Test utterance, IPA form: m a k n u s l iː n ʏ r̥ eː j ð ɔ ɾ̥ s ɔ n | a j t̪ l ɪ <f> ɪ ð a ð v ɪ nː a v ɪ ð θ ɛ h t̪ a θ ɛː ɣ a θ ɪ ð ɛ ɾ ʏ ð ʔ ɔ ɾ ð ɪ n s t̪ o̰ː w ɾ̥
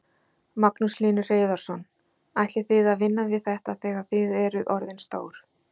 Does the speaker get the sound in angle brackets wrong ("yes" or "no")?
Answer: yes